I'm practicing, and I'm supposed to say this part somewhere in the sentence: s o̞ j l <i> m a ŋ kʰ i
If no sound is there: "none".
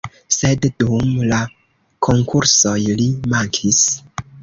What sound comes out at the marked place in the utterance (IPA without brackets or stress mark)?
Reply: i